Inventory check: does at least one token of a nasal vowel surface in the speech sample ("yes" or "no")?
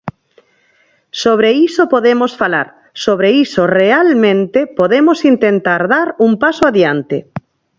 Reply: yes